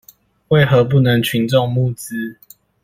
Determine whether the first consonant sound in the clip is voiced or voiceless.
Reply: voiced